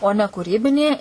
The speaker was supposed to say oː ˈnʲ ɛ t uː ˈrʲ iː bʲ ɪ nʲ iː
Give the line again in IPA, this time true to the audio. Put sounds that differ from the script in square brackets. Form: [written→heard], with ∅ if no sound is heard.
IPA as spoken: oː ˈnʲ ɛ [t→k] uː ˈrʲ iː bʲ ɪ nʲ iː

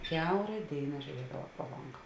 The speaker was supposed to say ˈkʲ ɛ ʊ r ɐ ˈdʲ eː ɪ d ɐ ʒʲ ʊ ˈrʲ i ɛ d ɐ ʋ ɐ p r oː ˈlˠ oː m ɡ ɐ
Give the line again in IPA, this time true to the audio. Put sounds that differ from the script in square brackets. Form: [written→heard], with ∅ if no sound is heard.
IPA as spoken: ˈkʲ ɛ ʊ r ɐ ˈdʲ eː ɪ [d→n] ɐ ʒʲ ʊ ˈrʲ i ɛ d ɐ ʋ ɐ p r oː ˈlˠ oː [m→ŋ] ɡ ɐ

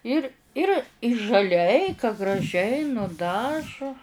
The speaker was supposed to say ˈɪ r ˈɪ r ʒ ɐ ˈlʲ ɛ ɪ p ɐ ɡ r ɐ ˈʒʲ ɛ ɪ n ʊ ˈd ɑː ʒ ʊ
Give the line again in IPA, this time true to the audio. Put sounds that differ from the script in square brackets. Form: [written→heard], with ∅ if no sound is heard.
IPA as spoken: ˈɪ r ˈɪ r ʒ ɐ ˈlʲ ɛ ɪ [p→k] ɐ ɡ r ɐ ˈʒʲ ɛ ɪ n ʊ ˈd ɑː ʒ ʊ

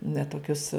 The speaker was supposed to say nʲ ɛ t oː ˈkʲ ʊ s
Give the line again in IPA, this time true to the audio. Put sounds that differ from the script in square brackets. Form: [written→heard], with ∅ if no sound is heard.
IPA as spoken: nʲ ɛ t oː ˈkʲ ʊ s

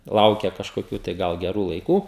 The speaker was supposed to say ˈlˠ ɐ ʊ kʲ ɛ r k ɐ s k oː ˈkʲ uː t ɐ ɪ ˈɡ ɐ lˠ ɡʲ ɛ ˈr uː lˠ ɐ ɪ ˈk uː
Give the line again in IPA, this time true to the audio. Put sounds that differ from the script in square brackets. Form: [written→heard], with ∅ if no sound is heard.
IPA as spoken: ˈlˠ ɐ ʊ kʲ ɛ [r→∅] k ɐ [s→ʃ] k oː ˈkʲ uː t ɐ ɪ ˈɡ ɐ lˠ ɡʲ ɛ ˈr uː lˠ ɐ ɪ ˈk uː

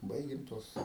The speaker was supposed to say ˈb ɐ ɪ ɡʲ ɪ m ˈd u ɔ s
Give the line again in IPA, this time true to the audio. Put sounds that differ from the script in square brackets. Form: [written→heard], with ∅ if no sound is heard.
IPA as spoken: ˈb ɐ ɪ ɡʲ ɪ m [ˈd→ˈt] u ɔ s

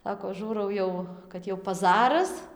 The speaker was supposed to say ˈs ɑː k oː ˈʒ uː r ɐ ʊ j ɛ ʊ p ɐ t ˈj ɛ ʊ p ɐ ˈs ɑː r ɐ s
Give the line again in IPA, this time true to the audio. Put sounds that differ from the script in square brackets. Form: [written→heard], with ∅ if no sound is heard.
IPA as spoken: ˈs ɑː k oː ˈʒ uː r ɐ ʊ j ɛ ʊ [p→k] ɐ t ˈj ɛ ʊ p ɐ [ˈs→ˈz] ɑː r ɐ s

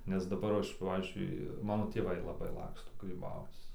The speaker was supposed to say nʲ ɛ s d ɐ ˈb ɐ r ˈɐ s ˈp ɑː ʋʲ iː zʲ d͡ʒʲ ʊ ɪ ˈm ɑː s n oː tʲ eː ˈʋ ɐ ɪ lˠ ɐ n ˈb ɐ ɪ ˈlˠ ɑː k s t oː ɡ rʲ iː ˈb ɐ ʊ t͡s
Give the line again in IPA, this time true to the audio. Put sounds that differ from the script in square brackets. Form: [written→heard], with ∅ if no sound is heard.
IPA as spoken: nʲ ɛ s d ɐ ˈb ɐ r ˈɐ [s→ʃ] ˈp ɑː ʋʲ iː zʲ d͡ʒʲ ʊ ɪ ˈm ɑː [s→∅] n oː tʲ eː ˈʋ ɐ ɪ lˠ ɐ [n→∅] ˈb ɐ ɪ ˈlˠ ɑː k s t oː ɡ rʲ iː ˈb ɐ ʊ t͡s

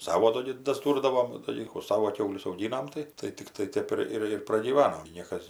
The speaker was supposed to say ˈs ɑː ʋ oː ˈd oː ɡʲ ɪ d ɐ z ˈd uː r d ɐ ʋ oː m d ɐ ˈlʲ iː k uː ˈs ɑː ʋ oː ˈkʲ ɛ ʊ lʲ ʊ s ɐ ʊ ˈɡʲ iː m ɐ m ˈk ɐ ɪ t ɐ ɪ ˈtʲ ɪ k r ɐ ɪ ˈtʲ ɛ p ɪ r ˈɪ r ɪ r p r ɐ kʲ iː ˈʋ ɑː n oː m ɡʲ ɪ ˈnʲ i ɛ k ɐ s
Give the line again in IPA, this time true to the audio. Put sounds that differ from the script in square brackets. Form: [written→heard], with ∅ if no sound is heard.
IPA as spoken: ˈs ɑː ʋ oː ˈd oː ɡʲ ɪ d ɐ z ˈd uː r d ɐ ʋ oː m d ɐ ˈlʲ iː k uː ˈs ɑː ʋ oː ˈkʲ ɛ ʊ lʲ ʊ s ɐ ʊ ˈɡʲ iː [m→n] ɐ m [ˈk→ˈt] ɐ ɪ t ɐ ɪ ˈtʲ ɪ k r ɐ ɪ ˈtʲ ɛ p ɪ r ˈɪ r ɪ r p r ɐ [kʲ→ɡʲ] iː ˈʋ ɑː n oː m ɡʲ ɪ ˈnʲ i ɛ k ɐ s

